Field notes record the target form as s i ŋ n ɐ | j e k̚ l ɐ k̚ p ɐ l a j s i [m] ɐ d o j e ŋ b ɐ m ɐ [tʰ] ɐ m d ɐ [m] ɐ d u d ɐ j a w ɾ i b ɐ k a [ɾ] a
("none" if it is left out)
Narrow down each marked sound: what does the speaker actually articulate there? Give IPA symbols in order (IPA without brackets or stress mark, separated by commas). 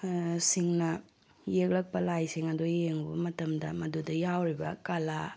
ŋ, t, m, l